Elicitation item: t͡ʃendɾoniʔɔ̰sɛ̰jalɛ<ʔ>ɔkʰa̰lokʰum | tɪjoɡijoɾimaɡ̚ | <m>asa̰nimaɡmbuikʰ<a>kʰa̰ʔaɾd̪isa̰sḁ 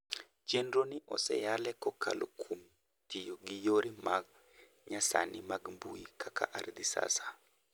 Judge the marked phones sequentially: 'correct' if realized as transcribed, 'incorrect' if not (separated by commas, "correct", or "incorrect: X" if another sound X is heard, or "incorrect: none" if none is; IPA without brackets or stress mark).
incorrect: k, incorrect: ɲ, correct